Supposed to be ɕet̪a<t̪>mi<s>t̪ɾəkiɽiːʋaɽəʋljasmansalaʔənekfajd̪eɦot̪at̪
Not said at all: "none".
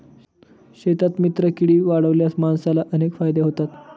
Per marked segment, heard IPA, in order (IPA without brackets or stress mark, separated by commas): t̪, none